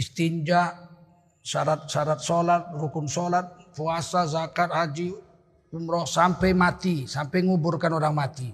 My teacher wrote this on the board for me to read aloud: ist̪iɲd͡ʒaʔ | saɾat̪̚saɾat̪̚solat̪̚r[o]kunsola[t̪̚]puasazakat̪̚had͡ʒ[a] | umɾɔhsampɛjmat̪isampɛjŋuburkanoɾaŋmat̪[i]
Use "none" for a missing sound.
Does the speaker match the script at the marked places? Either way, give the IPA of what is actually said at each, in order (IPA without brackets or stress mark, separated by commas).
u, t̪̚, i, i